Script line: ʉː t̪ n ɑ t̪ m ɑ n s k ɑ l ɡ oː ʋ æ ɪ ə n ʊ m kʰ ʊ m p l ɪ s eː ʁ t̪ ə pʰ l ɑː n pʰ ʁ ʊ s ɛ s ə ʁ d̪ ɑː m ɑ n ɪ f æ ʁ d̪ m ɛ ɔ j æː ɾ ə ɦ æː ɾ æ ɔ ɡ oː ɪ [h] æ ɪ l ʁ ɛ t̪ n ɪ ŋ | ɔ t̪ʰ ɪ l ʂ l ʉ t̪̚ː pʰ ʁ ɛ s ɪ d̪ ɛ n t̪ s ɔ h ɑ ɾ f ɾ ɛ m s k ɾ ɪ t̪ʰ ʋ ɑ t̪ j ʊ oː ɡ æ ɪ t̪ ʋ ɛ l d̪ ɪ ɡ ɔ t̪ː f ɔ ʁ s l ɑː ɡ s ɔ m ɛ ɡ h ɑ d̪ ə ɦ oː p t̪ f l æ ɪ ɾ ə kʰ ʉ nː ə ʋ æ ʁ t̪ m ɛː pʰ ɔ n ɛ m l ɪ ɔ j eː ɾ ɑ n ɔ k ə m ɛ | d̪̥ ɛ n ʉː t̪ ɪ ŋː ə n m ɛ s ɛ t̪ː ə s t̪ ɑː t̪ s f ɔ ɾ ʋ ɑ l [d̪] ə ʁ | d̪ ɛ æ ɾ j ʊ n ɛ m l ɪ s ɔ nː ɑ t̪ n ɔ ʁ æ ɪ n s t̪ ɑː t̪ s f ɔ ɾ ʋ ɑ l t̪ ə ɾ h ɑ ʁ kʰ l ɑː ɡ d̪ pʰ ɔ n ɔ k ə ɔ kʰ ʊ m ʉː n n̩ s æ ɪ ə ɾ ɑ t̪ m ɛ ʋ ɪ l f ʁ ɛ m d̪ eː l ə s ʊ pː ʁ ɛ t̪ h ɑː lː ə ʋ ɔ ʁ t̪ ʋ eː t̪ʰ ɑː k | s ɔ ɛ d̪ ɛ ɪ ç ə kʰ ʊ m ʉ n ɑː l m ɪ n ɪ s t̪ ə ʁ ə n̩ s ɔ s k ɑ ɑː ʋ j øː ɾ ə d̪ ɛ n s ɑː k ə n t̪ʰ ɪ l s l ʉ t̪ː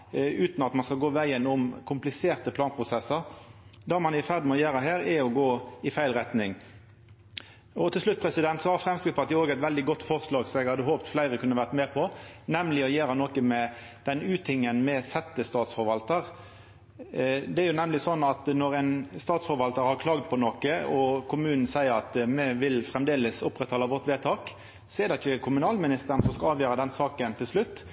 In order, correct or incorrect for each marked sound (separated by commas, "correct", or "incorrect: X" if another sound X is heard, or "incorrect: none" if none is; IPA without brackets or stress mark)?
incorrect: f, incorrect: t̪